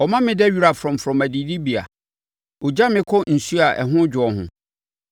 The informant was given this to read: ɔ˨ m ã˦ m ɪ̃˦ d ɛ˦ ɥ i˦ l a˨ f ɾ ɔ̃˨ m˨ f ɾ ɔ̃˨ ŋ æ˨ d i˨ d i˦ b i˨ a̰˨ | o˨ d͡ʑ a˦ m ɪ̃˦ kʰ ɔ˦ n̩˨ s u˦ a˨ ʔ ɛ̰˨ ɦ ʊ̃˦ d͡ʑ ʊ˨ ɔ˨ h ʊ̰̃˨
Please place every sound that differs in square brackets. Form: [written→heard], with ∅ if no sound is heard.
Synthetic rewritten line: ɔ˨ m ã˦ m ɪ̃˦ d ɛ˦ ɥ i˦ [l→ɾ] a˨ f ɾ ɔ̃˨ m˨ f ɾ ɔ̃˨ [ŋ→m] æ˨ d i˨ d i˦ b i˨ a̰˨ | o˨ d͡ʑ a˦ m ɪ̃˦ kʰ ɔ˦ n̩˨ s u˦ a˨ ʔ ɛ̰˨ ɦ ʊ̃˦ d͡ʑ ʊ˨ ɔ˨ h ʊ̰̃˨